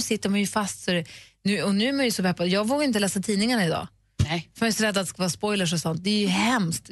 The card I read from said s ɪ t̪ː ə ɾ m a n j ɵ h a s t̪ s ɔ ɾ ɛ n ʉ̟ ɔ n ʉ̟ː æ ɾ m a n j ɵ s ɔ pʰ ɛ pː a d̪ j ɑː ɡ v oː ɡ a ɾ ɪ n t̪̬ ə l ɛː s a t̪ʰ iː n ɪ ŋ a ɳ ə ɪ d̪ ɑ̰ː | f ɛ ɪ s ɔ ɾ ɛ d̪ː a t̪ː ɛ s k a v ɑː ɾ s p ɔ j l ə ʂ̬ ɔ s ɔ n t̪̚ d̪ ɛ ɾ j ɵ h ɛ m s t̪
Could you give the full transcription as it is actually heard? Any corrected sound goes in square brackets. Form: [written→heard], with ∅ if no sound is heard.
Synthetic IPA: s ɪ t̪ː ə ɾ m a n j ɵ [h→f] a s t̪ s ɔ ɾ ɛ n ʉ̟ ɔ n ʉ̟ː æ ɾ m a n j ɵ s ɔ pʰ ɛ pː a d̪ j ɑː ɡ v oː ɡ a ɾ ɪ n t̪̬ ə l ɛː s a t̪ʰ iː n ɪ ŋ a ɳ [ə→a] ɪ d̪ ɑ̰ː | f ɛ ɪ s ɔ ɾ ɛ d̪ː a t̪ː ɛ s k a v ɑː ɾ s p ɔ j l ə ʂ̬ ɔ s ɔ n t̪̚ d̪ ɛ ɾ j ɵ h ɛ m s t̪